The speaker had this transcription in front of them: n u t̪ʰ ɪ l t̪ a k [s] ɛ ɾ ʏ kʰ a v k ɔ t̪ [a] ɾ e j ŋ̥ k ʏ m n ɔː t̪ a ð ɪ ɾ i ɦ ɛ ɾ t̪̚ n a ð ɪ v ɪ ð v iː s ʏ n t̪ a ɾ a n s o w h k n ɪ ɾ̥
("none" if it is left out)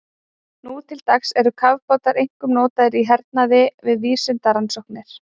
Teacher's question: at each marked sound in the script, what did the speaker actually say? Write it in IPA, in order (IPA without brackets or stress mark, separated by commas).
s, a